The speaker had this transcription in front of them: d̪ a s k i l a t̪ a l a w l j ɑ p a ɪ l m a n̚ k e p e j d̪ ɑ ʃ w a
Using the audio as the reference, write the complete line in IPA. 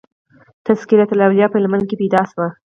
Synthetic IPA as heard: t̪ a s k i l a t̪ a l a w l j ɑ p ə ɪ l m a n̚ k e p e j d̪ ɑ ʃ w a